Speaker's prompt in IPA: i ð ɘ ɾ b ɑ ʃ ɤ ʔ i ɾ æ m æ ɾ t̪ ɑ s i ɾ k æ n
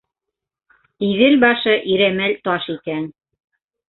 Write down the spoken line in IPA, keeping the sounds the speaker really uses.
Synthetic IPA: i ð ɘ l b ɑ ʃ ɤ ʔ i ɾ æ m æ l t̪ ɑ ʃ i k æ n